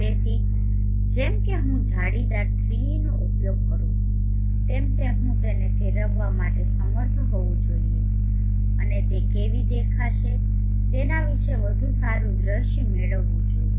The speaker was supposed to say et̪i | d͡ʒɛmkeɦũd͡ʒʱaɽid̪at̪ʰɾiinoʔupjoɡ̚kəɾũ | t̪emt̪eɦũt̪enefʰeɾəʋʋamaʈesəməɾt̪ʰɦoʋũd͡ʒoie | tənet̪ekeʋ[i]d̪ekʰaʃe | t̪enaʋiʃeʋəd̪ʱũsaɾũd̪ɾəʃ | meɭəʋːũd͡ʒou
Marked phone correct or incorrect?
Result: correct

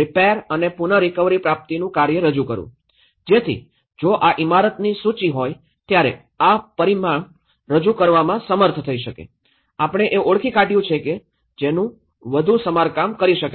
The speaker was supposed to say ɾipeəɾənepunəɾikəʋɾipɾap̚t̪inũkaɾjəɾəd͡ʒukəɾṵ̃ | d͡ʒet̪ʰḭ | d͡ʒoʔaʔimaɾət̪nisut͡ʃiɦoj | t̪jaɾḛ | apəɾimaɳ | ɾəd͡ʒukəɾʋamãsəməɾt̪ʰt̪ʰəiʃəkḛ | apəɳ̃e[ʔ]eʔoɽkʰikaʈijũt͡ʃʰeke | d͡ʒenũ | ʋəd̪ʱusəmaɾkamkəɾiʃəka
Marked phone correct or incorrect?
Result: correct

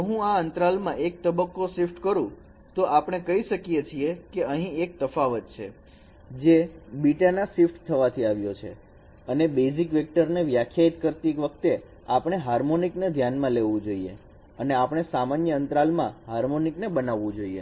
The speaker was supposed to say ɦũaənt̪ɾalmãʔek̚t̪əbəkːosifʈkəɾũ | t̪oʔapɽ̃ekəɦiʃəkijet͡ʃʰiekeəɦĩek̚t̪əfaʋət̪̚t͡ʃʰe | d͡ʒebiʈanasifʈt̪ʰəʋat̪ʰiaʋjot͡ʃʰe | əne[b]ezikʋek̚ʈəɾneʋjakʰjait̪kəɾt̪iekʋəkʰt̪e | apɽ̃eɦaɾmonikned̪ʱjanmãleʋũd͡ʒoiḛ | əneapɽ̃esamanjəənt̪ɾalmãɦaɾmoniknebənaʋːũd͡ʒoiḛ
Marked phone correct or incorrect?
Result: correct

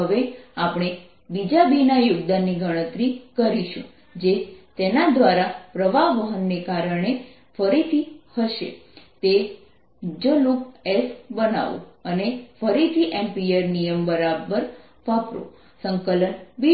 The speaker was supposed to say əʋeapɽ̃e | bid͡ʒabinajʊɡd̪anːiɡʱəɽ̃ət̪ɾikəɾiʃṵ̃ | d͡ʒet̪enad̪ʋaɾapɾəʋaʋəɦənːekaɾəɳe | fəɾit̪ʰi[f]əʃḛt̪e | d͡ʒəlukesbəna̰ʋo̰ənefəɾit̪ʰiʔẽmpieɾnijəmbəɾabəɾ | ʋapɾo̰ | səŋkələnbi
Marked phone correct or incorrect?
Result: incorrect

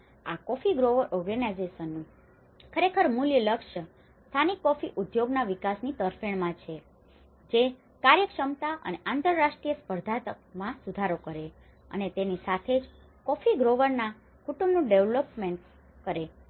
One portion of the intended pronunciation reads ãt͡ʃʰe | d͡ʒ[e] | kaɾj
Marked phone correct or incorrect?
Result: correct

